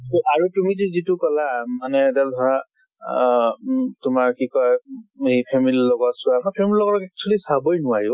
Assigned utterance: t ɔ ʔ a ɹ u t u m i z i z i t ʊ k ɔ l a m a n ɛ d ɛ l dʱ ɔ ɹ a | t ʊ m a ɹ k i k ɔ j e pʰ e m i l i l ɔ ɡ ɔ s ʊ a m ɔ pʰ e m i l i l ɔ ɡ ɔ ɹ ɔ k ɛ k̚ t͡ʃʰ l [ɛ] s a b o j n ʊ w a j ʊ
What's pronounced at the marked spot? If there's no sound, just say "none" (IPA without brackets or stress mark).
i